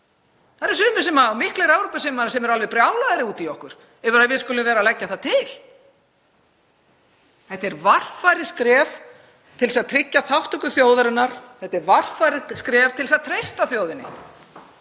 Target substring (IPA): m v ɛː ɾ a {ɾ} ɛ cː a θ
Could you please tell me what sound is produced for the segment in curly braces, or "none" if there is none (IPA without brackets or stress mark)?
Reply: l